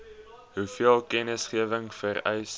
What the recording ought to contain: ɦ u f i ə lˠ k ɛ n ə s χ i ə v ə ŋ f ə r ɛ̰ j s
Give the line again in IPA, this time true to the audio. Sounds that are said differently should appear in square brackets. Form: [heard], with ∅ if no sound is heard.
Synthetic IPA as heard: ɦ u f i ə lˠ k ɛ n ə s χ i ə v ə ŋ f ə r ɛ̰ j s